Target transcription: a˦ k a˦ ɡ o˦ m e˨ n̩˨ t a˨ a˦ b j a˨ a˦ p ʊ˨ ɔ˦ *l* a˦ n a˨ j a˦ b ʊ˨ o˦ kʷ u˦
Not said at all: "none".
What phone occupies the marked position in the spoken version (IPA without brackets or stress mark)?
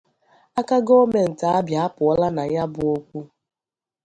l